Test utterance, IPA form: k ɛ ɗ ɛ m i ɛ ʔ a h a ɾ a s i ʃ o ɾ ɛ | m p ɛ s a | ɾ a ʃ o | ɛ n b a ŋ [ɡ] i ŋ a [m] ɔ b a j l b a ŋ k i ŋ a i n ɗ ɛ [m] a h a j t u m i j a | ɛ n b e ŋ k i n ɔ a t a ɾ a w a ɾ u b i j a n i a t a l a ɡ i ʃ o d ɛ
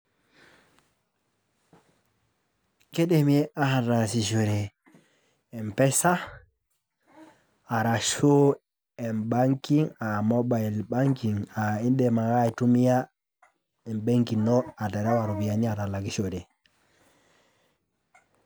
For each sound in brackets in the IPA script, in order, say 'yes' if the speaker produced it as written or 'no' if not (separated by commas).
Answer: no, yes, yes